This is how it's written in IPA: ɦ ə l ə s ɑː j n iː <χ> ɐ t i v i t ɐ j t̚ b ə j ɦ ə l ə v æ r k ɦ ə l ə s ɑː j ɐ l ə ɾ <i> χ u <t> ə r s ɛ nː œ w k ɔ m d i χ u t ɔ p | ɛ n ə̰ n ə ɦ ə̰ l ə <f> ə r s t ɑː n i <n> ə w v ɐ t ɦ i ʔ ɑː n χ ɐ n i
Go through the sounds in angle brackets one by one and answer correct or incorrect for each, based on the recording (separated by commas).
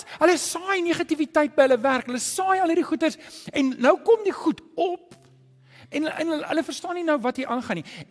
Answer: correct, correct, correct, correct, correct